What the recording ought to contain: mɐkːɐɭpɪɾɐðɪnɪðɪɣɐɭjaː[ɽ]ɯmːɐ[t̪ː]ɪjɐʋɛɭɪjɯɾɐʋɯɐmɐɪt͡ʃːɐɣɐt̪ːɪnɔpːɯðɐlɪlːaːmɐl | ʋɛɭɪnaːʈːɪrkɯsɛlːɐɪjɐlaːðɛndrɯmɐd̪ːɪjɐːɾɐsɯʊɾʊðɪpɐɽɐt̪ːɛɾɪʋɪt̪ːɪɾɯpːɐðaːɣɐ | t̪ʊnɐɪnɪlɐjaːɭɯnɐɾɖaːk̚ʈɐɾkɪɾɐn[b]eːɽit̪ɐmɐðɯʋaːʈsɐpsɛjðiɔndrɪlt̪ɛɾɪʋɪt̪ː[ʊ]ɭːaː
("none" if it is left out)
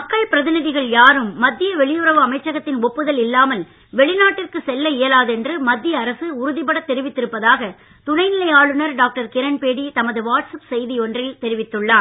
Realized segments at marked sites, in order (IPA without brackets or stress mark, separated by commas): ɾ, d̪ː, p, ɯ